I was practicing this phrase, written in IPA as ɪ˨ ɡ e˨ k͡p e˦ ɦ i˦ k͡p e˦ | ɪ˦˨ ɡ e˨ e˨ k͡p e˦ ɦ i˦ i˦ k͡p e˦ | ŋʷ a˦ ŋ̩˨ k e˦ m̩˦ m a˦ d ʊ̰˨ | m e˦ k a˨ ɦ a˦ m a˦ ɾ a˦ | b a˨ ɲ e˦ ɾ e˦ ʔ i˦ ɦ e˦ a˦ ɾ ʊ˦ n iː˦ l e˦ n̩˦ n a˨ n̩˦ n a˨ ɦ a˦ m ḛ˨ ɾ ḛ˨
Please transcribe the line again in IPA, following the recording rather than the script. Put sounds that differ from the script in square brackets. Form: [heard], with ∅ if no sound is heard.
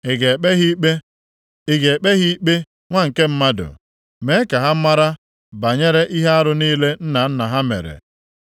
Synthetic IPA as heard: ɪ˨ ɡ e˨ k͡p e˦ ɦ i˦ k͡p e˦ | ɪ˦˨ ɡ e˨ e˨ k͡p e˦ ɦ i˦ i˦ k͡p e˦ | ŋʷ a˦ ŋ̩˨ k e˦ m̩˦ m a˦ d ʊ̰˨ | m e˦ k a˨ ɦ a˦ m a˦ ɾ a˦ | b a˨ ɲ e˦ ɾ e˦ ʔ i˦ ɦ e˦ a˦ ɾ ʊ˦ n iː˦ l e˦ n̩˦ n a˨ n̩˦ n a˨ ɦ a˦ m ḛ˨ ɾ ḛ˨